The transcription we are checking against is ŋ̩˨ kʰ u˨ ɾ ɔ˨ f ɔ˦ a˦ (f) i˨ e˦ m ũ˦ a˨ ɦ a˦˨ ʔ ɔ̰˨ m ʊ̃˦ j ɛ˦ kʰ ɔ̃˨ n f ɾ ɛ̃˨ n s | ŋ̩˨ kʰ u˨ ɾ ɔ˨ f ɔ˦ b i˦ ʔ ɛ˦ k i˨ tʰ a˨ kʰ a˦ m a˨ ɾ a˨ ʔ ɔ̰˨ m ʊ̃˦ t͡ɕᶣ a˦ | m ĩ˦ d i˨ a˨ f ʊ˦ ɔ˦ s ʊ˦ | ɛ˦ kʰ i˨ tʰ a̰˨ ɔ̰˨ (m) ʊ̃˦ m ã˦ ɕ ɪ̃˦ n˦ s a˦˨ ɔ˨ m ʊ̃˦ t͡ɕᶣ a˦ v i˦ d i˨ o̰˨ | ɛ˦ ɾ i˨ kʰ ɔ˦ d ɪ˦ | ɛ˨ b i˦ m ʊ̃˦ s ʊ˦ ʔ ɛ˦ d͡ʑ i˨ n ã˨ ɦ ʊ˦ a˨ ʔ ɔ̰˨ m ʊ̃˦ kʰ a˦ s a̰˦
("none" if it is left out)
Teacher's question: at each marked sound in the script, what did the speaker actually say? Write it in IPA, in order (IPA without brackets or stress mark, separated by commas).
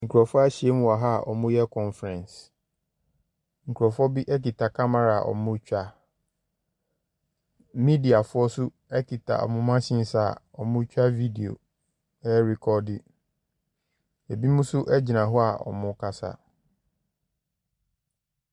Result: ɕ, m